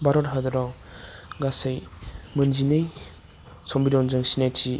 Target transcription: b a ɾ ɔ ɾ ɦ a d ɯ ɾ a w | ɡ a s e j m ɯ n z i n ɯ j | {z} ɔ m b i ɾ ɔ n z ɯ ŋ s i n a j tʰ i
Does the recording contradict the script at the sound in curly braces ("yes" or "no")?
yes